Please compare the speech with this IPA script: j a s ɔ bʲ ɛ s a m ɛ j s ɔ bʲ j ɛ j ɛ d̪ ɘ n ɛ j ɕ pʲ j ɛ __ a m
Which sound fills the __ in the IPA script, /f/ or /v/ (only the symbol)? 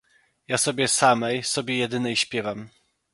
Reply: v